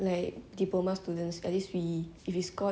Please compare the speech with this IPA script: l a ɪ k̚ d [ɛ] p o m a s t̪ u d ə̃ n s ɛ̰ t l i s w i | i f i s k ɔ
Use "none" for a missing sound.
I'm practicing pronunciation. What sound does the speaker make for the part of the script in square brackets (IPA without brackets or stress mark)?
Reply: i